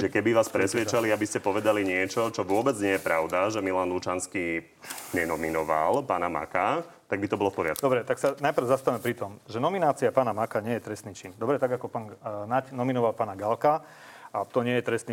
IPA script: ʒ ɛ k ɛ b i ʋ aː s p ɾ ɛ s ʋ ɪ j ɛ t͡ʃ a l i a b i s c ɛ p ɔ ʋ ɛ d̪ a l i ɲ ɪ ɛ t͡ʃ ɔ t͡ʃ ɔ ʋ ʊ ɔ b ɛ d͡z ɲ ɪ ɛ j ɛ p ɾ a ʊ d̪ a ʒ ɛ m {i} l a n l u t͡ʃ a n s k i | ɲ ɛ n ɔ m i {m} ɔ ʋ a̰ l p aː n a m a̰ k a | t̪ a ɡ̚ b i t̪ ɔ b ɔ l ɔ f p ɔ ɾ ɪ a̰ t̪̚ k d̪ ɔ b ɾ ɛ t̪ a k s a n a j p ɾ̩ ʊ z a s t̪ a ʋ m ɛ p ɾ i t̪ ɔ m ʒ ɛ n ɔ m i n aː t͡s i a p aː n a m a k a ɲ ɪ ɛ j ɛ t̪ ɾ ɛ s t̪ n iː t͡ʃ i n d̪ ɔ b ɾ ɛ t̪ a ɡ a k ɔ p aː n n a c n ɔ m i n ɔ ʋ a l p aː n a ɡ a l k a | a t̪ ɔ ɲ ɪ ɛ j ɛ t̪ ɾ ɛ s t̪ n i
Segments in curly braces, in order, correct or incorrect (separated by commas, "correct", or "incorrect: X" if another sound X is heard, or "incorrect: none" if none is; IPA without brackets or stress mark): correct, incorrect: n